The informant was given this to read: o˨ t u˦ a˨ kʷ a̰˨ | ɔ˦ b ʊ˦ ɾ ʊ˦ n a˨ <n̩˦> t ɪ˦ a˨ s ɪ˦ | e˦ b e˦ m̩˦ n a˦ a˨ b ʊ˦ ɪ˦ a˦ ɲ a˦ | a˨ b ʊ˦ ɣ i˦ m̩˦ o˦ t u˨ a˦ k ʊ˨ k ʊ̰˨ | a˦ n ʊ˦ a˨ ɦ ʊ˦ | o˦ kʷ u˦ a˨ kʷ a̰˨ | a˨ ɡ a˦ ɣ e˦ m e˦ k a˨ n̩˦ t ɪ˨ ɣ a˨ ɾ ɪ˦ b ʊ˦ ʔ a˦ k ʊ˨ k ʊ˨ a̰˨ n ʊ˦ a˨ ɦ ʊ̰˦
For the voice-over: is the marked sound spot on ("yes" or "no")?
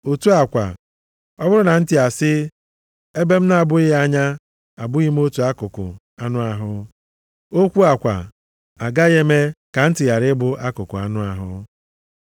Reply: yes